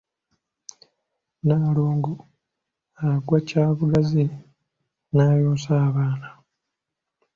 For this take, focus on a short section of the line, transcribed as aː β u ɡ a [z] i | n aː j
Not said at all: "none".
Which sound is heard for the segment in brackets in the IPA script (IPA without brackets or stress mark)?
z